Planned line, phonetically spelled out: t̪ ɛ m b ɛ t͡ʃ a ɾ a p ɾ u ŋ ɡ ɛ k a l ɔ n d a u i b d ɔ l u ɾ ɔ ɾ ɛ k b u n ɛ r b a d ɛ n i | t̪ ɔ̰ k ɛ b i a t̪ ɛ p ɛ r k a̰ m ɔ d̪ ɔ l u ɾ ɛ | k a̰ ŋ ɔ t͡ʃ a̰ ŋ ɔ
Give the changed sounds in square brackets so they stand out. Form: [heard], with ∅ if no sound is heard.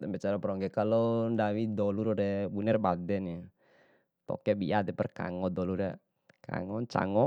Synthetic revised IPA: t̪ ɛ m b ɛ t͡ʃ a ɾ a p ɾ [ɔ] ŋ ɡ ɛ k a l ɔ n d a [w] i [∅] d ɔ l u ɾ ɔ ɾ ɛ [∅] b u n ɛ r b a d ɛ n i | t̪ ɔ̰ k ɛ b i a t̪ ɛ p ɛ r k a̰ [ŋ] ɔ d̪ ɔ l u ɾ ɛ | k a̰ ŋ ɔ t͡ʃ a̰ ŋ ɔ